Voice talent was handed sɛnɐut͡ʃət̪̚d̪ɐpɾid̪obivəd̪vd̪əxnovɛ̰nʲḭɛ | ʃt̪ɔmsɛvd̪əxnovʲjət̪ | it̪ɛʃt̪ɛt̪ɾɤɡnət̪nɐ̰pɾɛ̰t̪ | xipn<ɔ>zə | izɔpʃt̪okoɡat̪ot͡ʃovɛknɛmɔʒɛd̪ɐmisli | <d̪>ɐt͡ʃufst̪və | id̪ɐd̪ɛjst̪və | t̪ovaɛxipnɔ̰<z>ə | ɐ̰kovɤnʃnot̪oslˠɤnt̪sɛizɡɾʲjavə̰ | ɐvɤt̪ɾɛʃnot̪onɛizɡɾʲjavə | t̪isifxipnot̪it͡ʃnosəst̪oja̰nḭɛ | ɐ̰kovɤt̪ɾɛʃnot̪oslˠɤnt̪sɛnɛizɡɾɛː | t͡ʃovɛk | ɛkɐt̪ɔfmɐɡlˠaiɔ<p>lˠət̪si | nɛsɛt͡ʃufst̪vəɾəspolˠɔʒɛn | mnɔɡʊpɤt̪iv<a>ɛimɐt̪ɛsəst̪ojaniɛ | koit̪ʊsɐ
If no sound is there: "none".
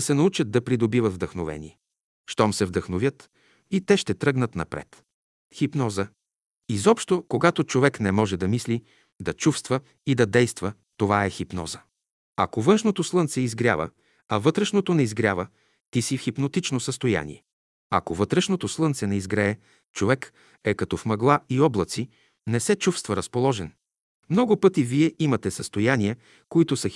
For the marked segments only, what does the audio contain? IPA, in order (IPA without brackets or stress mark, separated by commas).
ɔ, d̪, z, b, i